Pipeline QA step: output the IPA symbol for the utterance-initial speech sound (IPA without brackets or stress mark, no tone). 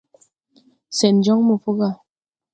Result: s